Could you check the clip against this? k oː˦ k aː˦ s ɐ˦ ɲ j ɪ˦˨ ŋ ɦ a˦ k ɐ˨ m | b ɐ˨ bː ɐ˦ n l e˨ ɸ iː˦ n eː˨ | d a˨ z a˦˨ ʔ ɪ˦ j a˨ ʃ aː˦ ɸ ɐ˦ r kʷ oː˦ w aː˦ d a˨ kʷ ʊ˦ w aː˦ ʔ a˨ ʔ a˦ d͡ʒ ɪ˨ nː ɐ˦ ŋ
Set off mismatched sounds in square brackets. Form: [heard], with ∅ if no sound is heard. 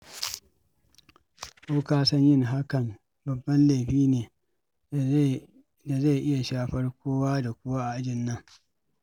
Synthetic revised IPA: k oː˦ k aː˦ s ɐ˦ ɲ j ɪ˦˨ ŋ ɦ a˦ k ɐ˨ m | b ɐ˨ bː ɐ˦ n l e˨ ɸ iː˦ n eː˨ | d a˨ z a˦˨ ʔ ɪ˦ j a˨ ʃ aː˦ ɸ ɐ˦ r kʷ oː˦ w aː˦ d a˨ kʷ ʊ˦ w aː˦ ʔ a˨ ʔ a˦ d͡ʒ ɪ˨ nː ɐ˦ ŋ